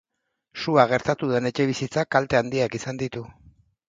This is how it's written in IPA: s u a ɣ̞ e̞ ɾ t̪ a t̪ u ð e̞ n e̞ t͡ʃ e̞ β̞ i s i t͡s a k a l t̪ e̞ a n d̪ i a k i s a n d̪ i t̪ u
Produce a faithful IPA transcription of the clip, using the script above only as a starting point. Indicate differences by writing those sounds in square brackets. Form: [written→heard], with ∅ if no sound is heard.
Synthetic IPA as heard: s u a ɣ̞ e̞ ɾ t̪ a t̪ u ð e̞ n e̞ t͡ʃ e̞ β̞ i s i t͡s a k a l t̪ e̞ a n d̪ i a k i s a n d̪ i t̪ u